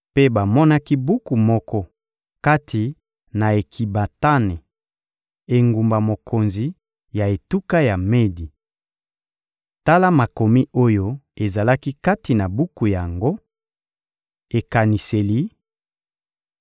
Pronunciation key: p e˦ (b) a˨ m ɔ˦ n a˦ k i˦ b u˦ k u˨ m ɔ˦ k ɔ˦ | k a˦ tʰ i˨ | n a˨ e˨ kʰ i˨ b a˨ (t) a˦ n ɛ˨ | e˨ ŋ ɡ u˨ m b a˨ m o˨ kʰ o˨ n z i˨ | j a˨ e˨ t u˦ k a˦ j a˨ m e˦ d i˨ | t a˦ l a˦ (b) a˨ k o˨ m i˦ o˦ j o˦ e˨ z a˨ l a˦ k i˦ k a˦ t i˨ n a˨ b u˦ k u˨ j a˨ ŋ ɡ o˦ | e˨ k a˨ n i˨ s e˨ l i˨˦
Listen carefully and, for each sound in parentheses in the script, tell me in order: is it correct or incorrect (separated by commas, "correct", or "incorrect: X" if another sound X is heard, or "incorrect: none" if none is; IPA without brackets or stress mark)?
correct, correct, incorrect: m